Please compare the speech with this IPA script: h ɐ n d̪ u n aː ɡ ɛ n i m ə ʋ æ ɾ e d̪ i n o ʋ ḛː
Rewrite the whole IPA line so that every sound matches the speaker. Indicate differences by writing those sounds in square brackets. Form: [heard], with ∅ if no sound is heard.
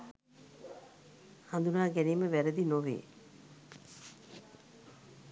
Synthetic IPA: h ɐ n d̪ u n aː ɡ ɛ n [iː] m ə ʋ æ ɾ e d̪ i n o ʋ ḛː